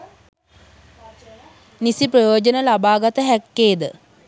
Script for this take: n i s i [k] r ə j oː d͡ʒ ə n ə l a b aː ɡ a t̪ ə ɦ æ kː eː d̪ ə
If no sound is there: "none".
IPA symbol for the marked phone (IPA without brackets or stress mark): p